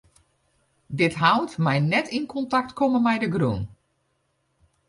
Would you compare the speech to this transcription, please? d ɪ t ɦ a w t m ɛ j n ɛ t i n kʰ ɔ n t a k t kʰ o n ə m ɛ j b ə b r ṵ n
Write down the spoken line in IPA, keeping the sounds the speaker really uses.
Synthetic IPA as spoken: d ɪ t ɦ a w t m ɛ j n ɛ t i n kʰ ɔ n t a k t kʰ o m ə m ɛ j d ə ɡ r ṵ n